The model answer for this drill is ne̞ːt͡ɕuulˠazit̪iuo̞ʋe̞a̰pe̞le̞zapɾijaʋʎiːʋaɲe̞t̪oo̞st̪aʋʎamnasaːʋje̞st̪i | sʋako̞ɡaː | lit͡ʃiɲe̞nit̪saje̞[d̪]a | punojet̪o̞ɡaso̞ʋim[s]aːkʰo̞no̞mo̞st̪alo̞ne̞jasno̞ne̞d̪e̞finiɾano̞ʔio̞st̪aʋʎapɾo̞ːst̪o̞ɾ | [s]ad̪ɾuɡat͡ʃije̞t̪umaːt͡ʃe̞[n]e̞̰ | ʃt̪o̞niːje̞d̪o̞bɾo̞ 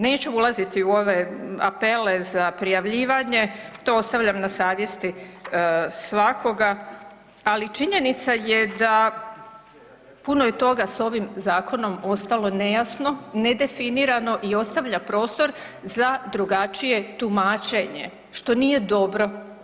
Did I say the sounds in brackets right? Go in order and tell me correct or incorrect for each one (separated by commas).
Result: correct, incorrect, incorrect, incorrect